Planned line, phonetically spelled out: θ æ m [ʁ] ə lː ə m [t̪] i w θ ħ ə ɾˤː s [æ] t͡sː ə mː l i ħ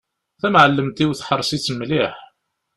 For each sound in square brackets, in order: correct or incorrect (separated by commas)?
incorrect, correct, incorrect